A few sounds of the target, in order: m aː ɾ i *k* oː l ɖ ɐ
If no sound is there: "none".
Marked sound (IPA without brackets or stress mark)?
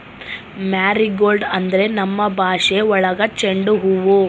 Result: ɡ